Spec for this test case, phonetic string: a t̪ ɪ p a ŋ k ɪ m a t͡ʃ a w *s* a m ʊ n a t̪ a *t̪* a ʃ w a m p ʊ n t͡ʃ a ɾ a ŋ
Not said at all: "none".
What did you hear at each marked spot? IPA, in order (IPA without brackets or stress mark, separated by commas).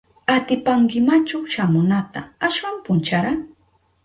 ʃ, none